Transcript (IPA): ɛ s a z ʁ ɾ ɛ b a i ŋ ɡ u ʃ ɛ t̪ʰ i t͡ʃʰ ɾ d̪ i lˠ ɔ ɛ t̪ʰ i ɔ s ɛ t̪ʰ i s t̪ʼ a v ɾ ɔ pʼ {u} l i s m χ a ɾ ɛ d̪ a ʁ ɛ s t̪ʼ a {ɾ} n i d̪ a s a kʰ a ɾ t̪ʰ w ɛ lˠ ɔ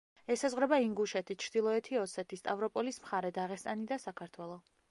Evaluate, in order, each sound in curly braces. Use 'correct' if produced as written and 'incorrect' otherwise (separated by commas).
incorrect, incorrect